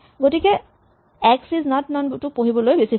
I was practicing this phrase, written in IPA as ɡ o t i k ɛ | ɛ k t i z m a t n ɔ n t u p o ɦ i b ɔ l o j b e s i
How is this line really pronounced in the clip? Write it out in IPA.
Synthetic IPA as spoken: ɡ o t i k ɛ | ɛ k s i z n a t n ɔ n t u p o ɦ i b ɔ l o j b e s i